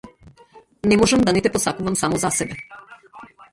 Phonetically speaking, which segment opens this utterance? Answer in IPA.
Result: n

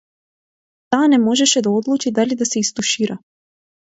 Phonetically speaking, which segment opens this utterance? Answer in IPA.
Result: t̪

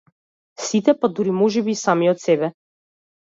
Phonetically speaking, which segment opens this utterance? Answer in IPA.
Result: s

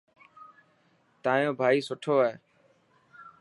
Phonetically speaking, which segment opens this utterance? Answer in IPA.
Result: t̪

